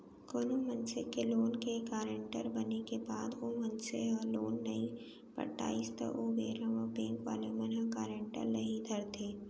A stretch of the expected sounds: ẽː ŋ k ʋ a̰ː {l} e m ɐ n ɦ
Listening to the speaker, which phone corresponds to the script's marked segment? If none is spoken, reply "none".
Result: l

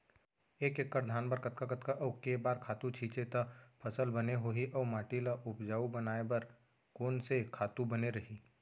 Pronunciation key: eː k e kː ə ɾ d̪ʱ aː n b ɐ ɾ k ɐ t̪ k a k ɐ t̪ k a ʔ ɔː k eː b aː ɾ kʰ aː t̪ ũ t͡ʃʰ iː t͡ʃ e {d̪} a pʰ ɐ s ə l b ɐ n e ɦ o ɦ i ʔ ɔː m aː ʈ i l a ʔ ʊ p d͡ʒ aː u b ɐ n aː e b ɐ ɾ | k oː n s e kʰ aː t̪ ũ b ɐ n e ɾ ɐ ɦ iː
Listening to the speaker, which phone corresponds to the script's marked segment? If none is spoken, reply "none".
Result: t̪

